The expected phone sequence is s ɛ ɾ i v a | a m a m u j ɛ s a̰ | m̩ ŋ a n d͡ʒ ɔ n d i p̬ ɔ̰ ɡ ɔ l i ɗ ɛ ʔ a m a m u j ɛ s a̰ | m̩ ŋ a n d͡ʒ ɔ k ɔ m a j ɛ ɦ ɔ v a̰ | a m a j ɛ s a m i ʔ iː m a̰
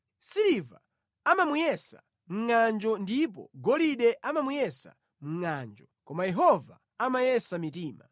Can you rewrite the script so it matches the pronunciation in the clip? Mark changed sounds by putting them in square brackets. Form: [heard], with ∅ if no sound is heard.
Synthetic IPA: s [i] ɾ i v a | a m a m u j ɛ s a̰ | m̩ ŋ a n d͡ʒ ɔ n d i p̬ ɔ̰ ɡ ɔ l i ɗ ɛ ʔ a m a m u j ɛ s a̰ | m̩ ŋ a n d͡ʒ ɔ k ɔ m a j ɛ ɦ ɔ v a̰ | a m a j ɛ s a m i [t] iː m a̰